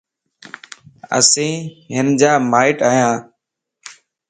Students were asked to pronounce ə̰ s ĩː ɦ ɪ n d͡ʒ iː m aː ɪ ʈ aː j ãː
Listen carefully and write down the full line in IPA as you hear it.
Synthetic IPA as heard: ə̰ s ĩː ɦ ɪ n d͡ʒ aː m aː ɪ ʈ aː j ãː